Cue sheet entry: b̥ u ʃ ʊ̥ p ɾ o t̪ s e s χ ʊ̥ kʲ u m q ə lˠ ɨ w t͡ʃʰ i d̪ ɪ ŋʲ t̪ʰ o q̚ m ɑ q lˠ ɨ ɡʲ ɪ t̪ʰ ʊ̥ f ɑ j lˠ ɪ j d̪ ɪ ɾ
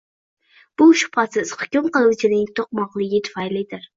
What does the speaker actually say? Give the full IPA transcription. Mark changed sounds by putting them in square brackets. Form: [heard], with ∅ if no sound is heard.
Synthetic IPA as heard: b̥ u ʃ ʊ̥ p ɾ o t̪ s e s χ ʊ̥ kʲ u m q ə lˠ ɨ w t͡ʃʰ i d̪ ɪ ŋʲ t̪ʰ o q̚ m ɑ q lˠ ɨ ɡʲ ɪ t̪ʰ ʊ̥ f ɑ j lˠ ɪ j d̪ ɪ ɾ